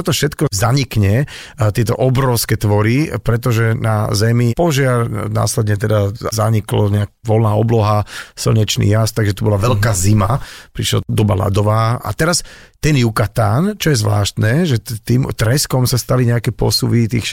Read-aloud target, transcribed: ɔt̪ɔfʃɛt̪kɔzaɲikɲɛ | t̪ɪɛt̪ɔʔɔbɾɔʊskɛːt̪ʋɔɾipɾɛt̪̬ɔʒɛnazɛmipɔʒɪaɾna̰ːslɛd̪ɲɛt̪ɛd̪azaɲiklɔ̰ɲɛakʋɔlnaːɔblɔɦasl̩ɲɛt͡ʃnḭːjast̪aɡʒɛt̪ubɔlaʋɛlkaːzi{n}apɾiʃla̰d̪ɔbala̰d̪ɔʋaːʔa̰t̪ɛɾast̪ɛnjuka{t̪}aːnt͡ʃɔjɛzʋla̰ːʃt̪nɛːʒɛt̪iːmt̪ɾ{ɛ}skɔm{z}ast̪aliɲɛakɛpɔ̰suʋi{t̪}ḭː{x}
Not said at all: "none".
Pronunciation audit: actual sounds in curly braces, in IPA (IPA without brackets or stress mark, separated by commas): m, t̪, ɛ, s, t̪, x